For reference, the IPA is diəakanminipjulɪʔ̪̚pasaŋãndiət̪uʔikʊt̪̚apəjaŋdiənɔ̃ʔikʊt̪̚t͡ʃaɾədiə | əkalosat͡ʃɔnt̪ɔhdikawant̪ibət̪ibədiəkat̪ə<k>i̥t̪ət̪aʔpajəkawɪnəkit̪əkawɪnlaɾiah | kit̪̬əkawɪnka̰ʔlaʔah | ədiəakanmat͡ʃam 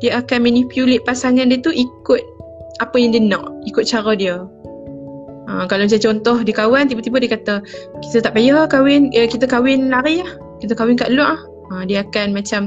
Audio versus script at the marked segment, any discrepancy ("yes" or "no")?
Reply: no